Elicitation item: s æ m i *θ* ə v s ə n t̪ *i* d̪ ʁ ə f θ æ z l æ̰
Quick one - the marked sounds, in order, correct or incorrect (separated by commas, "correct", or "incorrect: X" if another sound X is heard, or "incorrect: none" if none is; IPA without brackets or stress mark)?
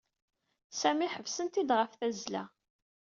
incorrect: ħ, correct